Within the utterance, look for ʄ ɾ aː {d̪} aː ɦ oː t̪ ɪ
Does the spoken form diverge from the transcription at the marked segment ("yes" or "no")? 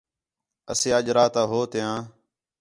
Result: yes